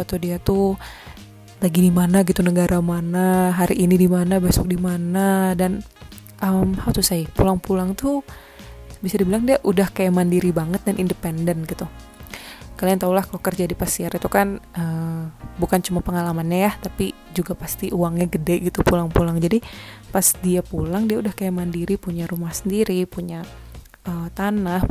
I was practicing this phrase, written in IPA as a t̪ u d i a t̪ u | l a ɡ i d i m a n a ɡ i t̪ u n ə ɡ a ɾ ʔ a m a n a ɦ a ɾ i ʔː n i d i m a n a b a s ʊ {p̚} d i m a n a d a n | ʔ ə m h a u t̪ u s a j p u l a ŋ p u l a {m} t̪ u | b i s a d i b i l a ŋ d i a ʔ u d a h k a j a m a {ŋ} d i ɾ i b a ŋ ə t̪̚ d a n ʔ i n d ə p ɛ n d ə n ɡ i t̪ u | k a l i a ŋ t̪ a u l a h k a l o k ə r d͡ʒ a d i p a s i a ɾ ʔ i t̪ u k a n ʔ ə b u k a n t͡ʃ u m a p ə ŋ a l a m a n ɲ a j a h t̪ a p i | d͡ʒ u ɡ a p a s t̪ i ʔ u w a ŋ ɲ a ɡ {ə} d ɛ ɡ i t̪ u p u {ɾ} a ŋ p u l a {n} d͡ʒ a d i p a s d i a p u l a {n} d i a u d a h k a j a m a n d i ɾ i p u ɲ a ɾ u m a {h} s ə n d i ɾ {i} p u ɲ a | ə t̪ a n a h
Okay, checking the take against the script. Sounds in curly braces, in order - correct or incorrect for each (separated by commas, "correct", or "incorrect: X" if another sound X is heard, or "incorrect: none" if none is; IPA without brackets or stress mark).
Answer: incorrect: k̚, incorrect: ŋ, incorrect: n, correct, incorrect: l, incorrect: ŋ, incorrect: ŋ, correct, correct